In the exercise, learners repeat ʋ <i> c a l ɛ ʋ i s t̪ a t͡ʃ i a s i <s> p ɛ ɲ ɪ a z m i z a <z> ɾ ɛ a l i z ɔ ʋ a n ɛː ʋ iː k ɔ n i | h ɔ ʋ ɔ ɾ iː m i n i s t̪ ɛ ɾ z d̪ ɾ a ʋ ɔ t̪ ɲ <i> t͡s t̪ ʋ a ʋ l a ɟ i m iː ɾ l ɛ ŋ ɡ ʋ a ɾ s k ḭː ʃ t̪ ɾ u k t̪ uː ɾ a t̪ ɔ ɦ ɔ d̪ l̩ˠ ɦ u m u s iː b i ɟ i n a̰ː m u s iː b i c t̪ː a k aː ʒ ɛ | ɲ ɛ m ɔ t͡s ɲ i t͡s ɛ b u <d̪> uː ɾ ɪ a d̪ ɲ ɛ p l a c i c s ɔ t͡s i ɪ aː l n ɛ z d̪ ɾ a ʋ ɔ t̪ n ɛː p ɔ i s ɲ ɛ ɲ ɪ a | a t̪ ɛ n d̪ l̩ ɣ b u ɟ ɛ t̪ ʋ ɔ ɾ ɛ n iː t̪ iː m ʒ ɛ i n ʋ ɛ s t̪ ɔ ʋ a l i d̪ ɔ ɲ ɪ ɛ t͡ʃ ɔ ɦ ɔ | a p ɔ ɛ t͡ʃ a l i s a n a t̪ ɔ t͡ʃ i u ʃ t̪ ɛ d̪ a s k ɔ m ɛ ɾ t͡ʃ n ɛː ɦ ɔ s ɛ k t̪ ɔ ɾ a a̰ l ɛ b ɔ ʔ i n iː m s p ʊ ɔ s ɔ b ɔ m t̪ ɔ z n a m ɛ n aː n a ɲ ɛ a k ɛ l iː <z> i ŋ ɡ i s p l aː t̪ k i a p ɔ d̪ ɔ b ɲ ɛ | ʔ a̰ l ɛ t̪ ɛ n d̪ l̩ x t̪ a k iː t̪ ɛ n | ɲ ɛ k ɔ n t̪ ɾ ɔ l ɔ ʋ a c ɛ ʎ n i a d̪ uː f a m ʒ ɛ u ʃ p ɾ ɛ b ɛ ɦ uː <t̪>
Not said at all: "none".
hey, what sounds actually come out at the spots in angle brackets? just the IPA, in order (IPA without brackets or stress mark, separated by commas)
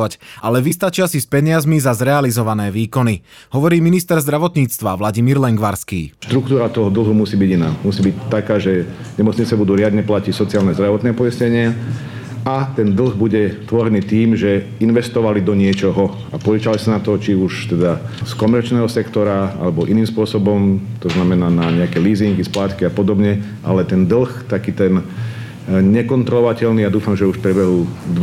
a, s, z, iː, d̪, z, d̪